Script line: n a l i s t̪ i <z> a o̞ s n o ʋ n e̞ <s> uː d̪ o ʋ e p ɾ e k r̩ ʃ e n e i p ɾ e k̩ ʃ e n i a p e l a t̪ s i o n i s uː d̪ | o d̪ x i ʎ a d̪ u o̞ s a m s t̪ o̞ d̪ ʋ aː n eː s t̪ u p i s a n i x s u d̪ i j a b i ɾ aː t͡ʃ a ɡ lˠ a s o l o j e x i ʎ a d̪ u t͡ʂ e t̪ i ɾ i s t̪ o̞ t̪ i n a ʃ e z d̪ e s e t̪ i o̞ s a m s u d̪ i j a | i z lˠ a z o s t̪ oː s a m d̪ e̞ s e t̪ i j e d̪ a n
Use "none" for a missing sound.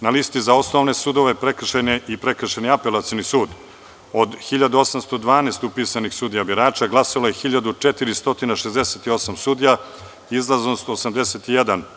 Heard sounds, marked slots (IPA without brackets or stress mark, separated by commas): z, s